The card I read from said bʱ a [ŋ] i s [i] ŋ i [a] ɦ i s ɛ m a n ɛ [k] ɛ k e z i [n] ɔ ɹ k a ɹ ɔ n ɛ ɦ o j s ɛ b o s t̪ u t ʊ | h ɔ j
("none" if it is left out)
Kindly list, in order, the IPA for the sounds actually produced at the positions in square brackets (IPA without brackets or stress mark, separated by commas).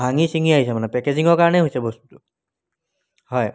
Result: ŋ, i, a, p, ŋ